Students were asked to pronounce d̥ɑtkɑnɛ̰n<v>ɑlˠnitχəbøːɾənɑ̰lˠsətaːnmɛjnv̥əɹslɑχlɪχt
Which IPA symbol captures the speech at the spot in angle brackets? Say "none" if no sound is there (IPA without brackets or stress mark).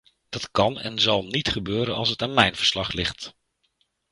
z